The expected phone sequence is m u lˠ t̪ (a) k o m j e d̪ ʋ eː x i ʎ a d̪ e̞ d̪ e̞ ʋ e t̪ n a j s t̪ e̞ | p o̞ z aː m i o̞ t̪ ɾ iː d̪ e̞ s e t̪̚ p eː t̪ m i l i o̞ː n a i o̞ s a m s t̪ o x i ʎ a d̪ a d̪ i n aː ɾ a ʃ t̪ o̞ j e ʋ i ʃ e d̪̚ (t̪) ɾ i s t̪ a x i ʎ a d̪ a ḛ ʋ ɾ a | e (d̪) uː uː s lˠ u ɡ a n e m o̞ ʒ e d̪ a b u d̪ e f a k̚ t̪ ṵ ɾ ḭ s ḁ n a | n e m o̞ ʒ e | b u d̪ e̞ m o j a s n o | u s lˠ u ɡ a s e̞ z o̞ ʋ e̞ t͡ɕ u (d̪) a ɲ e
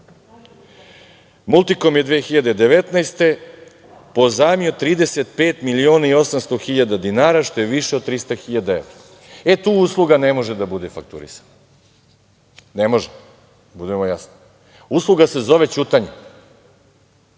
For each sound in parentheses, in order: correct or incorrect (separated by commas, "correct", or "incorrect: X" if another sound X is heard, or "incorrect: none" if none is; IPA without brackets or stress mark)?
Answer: incorrect: i, correct, incorrect: t̪, incorrect: t̪